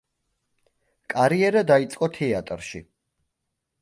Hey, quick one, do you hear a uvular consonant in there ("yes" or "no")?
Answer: yes